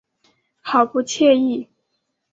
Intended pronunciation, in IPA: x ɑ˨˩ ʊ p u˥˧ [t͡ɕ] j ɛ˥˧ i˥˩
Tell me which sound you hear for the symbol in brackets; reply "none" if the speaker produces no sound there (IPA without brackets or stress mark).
t͡ɕʰ